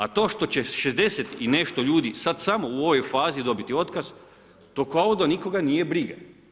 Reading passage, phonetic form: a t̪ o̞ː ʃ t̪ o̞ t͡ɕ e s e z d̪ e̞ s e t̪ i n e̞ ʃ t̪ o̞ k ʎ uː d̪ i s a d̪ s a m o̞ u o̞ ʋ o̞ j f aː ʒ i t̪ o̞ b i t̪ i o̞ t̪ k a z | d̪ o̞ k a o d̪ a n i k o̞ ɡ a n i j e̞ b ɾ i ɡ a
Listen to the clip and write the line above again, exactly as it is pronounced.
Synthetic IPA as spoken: a t̪ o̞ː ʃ t̪ o̞ t͡ɕ e ʃ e z d̪ e̞ s e t̪ i n e̞ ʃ t̪ o̞ ʎ uː d̪ i s a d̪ s a m o̞ u o̞ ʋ o̞ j f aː z i d̪ o̞ b i t̪ i o̞ t̪ k a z | t̪ o̞ k a o d̪ a n i k o̞ ɡ a n i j e̞ b ɾ i ɡ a